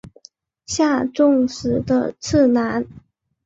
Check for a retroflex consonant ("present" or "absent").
present